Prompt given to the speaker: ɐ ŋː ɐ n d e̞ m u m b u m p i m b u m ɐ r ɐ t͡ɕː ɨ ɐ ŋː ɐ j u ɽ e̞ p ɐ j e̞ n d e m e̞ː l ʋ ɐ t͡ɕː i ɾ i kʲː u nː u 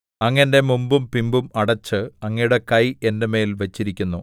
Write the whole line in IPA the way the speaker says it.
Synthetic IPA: ɐ ŋː ɐ n d e̞ m u m b u m p i m b u m ɐ ɽ ɐ t͡ɕː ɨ ɐ ŋː ɐ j u ɽ e̞ k ɐ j e̞ n d e m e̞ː l ʋ ɐ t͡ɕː i ɾ i kʲː u nː u